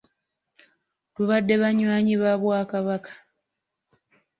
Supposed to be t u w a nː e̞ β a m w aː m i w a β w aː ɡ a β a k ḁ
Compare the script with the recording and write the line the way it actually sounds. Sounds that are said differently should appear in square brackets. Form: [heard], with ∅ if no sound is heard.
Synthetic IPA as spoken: t u [β] a [dː] e̞ β a [ɲ] w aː [ɲ] i [β] a β w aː [k] a β a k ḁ

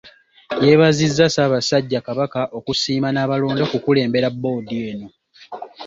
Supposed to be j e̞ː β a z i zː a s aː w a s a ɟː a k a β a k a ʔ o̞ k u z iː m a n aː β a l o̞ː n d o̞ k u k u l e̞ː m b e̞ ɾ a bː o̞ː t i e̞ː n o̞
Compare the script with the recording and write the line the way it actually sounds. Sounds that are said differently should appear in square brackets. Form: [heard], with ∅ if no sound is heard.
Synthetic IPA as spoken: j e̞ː β a z i zː a s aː [β] a s a ɟː a k a β a k a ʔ o̞ k u [s] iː m a n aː β a l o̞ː n d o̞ k u k u l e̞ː m b e̞ ɾ a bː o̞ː [d] i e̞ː n o̞

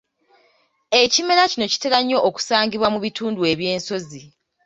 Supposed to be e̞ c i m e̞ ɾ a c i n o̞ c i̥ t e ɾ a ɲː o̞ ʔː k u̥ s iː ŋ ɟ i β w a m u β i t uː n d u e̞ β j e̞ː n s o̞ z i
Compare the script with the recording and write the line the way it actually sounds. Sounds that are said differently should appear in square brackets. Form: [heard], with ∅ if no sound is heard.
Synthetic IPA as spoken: e̞ c i m e̞ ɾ a c i n o̞ c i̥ t e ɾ a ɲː o̞ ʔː k u̥ s [aː] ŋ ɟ i β w a m u β i t uː n d u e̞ β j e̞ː n s o̞ z i

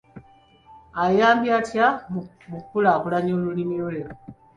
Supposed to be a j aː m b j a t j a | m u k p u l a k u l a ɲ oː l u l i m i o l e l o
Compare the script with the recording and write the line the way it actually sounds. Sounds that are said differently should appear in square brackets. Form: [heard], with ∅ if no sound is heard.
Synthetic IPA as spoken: a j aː m b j a t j a | m u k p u l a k u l a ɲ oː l u l i m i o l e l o

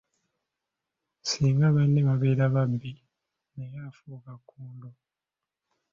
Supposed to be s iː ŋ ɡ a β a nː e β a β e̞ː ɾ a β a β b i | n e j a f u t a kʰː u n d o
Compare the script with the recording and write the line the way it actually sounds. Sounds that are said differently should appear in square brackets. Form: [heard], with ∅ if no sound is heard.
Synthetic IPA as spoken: s iː ŋ ɡ a β a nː e β a β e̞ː ɾ a β a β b i | n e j a f u [k] a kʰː [uː] n d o

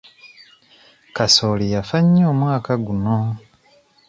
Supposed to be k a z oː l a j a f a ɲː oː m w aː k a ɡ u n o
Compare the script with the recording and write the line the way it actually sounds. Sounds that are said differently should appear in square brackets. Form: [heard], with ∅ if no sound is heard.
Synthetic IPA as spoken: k a [s] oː l [i] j a f a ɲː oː m w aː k a ɡ u n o

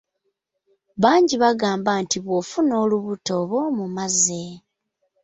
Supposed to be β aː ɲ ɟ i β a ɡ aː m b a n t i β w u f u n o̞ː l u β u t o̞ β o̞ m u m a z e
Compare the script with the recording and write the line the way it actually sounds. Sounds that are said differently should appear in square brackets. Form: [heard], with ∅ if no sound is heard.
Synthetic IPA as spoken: β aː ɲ ɟ i β a ɡ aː m b a n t i β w [o] f u n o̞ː l u β u t o̞ β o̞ m u m a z e

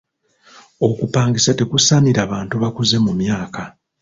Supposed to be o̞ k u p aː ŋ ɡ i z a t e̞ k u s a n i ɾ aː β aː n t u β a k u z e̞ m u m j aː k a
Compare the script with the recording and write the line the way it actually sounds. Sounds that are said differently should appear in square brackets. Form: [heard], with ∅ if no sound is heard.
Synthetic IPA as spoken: o̞ k u p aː ŋ ɡ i [s] a t e̞ k u s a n i ɾ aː β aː n t u β a k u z e̞ m u m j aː k a

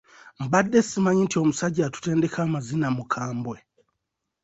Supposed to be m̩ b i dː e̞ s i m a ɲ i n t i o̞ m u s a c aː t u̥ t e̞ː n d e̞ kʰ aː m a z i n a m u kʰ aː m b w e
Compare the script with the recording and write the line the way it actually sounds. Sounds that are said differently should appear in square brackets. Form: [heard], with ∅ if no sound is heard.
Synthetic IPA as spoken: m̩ b [a] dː e̞ s i m a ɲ i n t i o̞ m u s a [ɟ] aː t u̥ t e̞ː n d e̞ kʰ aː m a z i n a m u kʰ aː m b w e

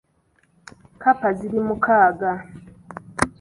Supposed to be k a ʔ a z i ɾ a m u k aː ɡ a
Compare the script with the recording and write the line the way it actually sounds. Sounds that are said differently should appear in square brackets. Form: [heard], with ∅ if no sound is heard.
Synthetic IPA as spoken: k a [p] a z i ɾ [i] m u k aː ɡ a

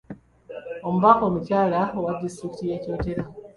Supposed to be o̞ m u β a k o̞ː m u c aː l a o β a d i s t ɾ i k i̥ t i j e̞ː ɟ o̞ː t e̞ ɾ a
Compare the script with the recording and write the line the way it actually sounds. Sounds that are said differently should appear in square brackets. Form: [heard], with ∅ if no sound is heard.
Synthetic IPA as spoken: o̞ m u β a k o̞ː m u c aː l a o [w] a d i s t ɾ i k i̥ t i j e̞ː [c] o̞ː t e̞ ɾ a

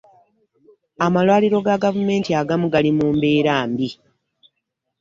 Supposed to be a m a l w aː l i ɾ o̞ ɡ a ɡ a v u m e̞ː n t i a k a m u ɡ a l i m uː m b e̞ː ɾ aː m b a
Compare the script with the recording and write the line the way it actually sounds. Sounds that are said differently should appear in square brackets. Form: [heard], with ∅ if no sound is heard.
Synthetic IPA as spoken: a m a l w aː l i ɾ o̞ ɡ a ɡ a v u m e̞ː n t i a [ɡ] a m u ɡ a l i m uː m b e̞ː ɾ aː m b [i]

